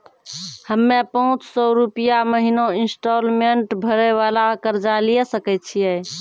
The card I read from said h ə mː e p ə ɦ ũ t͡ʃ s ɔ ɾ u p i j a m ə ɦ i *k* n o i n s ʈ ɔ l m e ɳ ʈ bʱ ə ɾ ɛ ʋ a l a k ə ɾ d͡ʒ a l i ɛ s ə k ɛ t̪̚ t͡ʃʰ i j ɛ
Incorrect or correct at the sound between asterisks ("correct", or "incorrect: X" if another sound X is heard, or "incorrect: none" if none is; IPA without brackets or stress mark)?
incorrect: none